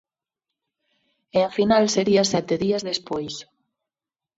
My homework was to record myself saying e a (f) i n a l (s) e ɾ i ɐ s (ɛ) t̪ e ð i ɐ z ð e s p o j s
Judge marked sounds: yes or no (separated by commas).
yes, yes, yes